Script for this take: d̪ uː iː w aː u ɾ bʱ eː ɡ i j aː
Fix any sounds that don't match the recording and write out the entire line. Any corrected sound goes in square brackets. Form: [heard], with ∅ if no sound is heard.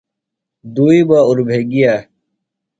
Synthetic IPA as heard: d̪ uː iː [b] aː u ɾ bʱ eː ɡ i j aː